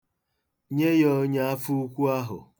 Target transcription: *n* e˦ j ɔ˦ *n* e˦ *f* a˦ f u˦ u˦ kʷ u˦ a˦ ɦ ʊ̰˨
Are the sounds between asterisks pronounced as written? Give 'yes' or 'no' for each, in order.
no, no, no

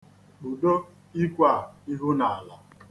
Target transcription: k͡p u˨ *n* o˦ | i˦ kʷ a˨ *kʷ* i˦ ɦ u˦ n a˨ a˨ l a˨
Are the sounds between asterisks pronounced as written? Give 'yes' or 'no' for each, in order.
no, no

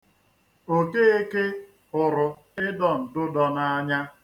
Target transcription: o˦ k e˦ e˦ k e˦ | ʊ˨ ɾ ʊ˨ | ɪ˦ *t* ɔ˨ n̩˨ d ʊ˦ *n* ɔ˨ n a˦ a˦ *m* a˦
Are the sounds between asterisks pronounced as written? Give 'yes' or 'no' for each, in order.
no, no, no

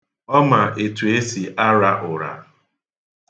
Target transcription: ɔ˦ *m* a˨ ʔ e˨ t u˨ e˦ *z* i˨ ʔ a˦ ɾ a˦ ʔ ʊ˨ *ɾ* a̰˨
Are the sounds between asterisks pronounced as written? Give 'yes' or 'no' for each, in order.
yes, no, yes

